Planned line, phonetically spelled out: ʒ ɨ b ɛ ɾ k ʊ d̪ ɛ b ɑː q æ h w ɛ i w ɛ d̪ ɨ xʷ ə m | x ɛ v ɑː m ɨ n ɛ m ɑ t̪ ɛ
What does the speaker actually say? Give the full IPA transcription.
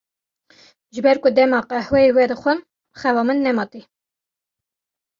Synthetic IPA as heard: ʒ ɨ b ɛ ɾ k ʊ d̪ ɛ m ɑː q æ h w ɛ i w ɛ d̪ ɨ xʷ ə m | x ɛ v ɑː m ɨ nː ɛ m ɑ t̪ i